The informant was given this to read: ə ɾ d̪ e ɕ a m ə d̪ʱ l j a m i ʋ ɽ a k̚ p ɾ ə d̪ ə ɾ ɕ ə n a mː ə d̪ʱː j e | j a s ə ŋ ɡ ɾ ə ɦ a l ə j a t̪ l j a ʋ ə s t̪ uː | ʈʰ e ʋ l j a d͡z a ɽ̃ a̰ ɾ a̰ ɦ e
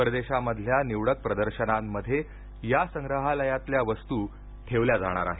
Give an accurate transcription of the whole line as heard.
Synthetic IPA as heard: ə ɾ d̪ e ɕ a m ə d̪ʱ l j a n i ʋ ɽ ə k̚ p ɾ ə d̪ ə ɾ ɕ ə n a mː ə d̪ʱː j e | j a s ə ŋ ɡ ɾ ə ɦ a l ə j a t̪ l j a ʋ ə s t̪ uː | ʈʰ e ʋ l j a d͡z a ɽ̃ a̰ ɾ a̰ ɦ e